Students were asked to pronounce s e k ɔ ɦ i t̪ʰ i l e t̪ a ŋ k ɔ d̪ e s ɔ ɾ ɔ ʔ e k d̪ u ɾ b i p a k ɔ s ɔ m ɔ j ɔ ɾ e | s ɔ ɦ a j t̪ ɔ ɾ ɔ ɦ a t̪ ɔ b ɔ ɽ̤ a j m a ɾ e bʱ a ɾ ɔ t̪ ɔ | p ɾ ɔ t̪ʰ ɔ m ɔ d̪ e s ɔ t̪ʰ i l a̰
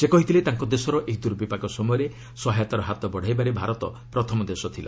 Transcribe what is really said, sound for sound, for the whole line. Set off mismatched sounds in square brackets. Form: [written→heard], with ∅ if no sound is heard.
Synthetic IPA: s e k ɔ ɦ i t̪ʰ i l e t̪ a ŋ k ɔ d̪ e s ɔ ɾ ɔ ʔ e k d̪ u ɾ b i p a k ɔ s ɔ m ɔ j ɔ ɾ e | s ɔ ɦ a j t̪ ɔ ɾ ɔ ɦ a t̪ ɔ b ɔ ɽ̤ a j [m→b] a ɾ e bʱ a ɾ ɔ t̪ ɔ | p ɾ ɔ t̪ʰ ɔ m ɔ d̪ e s ɔ t̪ʰ i l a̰